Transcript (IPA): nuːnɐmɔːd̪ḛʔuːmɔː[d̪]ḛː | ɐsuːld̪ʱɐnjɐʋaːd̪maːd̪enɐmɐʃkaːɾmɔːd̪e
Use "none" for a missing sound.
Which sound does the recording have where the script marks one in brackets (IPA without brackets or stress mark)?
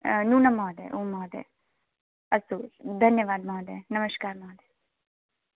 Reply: d̪